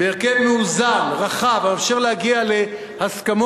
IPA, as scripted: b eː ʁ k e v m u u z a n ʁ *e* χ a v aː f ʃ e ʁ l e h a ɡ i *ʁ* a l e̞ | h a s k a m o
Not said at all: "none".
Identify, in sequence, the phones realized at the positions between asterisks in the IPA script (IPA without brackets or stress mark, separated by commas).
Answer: a, none